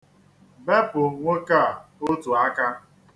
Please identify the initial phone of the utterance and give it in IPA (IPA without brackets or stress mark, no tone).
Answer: b